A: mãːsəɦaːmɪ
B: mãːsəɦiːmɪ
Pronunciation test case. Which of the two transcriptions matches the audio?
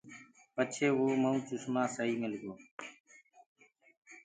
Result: B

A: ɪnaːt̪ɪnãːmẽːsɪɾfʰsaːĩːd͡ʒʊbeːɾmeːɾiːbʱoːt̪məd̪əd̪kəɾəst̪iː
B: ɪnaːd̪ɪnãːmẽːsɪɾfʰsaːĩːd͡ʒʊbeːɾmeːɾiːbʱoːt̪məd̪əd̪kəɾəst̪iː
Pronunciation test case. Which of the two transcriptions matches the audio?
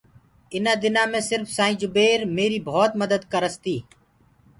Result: B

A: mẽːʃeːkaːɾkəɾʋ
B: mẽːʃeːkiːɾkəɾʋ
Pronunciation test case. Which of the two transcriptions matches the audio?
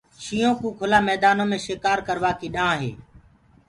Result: A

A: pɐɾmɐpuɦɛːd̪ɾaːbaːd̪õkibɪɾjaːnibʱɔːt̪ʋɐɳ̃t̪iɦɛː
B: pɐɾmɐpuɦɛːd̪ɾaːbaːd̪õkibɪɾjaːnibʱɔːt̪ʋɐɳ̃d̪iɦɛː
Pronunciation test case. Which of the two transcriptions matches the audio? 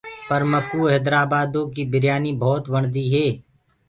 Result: B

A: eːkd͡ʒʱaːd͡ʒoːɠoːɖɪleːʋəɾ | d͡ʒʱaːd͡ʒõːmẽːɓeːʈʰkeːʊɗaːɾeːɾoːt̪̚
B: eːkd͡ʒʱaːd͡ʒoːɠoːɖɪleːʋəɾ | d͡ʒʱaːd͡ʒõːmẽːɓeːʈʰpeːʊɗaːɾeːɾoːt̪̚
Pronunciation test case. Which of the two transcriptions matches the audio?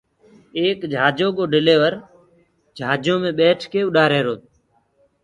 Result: A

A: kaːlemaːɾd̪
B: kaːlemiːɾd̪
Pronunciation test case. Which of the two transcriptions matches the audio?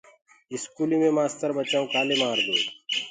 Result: A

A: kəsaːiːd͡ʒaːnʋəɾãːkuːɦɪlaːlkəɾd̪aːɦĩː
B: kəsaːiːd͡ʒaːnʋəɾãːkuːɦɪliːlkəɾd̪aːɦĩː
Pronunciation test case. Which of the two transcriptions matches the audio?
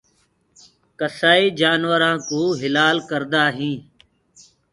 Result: A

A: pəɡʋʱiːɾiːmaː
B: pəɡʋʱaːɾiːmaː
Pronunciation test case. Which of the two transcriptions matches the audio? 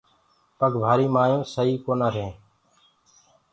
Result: B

